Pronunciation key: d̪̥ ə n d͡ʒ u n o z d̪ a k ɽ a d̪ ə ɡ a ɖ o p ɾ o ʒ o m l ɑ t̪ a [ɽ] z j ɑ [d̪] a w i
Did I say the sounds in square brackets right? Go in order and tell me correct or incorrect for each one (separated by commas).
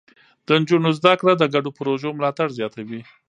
correct, incorrect